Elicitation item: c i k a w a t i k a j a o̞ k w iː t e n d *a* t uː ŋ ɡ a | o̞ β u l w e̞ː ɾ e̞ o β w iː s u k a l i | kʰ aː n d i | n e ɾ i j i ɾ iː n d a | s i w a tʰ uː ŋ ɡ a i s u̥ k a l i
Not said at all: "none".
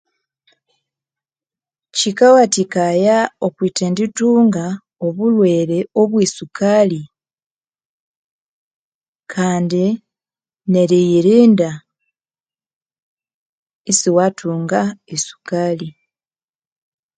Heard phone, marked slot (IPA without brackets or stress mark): i